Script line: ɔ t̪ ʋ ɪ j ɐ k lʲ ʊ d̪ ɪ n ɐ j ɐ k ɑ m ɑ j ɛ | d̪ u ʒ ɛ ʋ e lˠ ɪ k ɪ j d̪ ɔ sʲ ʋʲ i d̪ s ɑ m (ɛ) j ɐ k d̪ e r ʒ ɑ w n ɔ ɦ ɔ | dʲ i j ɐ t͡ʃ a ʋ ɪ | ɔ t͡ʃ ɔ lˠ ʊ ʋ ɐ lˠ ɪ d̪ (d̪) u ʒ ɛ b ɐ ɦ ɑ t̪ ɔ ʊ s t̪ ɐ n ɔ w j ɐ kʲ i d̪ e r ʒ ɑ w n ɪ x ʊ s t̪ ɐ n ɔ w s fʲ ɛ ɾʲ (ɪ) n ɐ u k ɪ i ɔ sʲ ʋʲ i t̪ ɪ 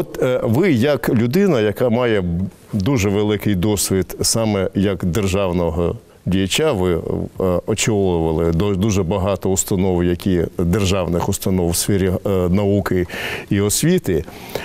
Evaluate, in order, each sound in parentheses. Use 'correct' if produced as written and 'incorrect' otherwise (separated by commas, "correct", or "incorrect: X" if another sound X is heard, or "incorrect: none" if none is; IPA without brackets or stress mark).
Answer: correct, correct, incorrect: i